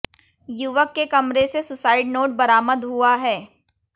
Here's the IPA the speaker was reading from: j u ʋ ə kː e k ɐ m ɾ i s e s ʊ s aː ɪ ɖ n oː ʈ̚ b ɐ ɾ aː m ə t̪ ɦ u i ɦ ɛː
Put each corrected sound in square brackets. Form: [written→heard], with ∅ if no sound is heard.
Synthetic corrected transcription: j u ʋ ə kː e k ɐ m ɾ [i→e] s e s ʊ s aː ɪ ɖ n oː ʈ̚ b ɐ ɾ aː m ə [t̪→d̪] ɦ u [i→a] ɦ ɛː